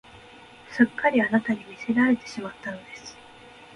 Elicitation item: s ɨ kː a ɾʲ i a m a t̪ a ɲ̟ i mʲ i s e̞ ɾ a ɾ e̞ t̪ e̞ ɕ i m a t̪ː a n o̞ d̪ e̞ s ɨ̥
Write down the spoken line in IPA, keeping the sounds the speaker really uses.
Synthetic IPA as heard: s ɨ kː a ɾʲ i a n a t̪ a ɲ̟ i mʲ i s e̞ ɾ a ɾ e̞ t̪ e̞ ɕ i m a t̪ː a n o̞ d̪ e̞ s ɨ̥